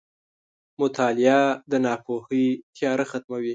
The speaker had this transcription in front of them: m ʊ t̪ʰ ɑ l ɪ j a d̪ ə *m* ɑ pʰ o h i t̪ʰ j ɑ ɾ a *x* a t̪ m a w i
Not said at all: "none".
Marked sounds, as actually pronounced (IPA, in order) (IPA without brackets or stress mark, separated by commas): n, x